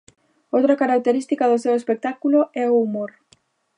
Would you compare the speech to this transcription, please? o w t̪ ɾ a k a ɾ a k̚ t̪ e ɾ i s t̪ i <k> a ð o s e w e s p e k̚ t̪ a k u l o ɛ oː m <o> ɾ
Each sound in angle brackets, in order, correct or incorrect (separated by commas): correct, correct